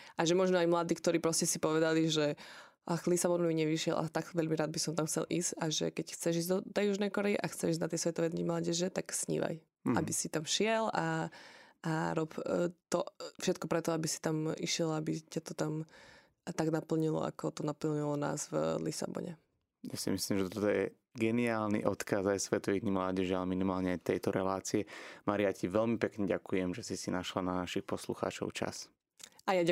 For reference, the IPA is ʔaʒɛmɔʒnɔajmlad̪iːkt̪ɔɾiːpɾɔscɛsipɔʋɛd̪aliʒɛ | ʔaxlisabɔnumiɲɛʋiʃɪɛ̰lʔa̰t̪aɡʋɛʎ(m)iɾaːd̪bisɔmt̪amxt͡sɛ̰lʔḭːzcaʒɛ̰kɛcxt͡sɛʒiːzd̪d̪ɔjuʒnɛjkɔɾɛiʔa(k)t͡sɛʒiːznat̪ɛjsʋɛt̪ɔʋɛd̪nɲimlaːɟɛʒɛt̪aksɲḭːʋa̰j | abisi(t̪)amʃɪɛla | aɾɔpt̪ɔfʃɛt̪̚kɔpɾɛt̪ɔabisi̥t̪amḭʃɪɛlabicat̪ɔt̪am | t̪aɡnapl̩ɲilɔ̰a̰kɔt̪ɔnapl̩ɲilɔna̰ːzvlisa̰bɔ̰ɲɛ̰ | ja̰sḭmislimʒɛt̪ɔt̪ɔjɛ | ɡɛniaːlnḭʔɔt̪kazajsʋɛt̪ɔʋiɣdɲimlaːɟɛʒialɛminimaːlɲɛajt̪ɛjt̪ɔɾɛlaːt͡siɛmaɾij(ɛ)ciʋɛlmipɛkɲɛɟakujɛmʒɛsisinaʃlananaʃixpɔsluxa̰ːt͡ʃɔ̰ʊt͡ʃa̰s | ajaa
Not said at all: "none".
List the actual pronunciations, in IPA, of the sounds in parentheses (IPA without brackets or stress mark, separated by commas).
m, x, t̪, a